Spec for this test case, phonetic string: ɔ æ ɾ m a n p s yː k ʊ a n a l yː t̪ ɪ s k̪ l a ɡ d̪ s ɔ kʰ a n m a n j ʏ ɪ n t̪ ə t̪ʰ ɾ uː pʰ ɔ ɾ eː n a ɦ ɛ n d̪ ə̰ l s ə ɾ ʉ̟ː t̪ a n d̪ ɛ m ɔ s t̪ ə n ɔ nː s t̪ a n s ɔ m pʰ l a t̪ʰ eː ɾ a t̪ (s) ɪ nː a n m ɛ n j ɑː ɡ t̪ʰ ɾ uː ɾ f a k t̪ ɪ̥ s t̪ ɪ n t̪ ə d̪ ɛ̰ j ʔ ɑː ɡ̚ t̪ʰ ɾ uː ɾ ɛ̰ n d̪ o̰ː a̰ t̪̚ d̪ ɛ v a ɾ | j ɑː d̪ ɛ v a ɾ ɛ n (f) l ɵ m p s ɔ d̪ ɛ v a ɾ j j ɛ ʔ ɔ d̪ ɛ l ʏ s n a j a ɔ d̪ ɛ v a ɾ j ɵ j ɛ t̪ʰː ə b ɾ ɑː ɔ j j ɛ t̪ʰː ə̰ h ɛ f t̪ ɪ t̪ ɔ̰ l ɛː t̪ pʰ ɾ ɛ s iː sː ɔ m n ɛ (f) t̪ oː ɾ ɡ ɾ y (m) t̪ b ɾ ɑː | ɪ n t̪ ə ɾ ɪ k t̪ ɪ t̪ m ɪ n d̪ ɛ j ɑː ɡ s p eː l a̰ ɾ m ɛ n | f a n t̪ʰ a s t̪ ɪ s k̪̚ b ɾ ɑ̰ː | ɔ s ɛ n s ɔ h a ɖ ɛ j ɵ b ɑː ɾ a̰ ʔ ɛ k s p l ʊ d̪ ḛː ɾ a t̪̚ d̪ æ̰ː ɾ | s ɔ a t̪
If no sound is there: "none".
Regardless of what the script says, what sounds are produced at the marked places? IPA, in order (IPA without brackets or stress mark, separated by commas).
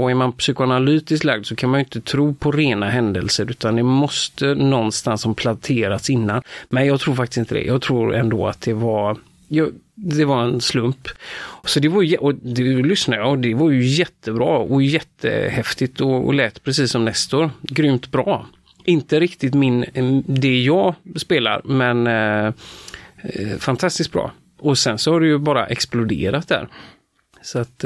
s, s, s, m